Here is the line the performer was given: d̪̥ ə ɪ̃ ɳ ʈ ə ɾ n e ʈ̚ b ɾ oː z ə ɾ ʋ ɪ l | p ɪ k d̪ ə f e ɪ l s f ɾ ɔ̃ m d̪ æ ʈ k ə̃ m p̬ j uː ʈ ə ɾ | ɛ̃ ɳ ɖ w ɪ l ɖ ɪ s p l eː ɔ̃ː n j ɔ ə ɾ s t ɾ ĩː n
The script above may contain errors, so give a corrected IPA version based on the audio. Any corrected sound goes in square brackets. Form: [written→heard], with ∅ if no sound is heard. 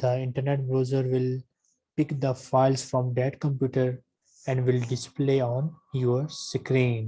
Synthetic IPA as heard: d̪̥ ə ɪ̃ ɳ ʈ ə ɾ n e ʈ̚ b ɾ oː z ə ɾ ʋ ɪ l | p ɪ k d̪ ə f [e→a] ɪ l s f ɾ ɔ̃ m d̪ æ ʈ k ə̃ m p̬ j uː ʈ ə ɾ | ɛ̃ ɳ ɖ [w→ʋ] ɪ l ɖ ɪ s p l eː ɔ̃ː n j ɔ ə ɾ s [t→k] ɾ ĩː n

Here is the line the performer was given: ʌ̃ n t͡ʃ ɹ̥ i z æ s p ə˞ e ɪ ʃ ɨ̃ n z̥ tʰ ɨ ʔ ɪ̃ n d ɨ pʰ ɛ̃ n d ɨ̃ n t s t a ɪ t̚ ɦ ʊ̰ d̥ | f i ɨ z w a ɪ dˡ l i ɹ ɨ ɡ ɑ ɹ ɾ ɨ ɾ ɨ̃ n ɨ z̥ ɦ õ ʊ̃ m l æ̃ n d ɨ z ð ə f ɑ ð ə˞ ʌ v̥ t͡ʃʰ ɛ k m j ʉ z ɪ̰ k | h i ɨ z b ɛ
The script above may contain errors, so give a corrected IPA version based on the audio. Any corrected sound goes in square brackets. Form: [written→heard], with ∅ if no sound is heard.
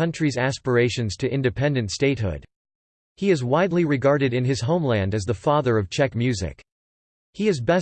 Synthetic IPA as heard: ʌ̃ n t͡ʃ ɹ̥ i z æ s p ə˞ e ɪ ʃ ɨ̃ n z̥ tʰ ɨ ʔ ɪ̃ n d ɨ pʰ ɛ̃ n d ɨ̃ n t s t [a→e] ɪ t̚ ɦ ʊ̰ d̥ | [f→h] i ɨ z w a ɪ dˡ l i ɹ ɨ ɡ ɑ ɹ ɾ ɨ ɾ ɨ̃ n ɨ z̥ ɦ õ ʊ̃ m l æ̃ n d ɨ z ð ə f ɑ ð ə˞ ʌ v̥ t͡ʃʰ ɛ k m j ʉ z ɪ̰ k | h i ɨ z b ɛ

